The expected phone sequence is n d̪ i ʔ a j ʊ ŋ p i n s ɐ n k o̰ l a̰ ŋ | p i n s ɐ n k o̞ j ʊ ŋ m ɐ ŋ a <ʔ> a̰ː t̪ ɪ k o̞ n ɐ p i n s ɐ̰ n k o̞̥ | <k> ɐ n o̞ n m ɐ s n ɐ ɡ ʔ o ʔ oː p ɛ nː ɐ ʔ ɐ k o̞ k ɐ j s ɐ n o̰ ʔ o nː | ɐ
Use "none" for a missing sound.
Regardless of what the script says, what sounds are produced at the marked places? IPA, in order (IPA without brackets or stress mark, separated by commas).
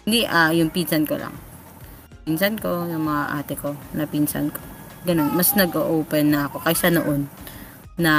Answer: ʔ, ɡ